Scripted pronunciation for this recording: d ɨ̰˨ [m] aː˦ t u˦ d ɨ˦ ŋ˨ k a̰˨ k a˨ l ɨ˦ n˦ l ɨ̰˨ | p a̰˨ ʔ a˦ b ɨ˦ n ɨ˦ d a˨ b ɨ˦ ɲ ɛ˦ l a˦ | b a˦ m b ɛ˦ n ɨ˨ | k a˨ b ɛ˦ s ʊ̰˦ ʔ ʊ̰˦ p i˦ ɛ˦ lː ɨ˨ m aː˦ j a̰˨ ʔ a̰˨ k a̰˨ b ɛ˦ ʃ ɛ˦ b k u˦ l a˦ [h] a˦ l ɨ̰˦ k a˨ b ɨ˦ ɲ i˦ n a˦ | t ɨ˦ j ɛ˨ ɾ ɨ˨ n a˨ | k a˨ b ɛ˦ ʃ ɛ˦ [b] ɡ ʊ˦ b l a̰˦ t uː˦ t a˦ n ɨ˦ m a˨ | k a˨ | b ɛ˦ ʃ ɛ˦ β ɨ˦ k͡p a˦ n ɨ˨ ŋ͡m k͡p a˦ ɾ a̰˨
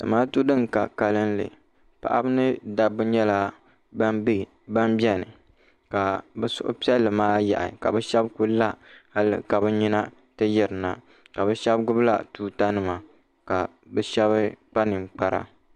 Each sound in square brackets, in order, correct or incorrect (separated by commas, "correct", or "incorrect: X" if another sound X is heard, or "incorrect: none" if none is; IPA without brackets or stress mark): correct, correct, correct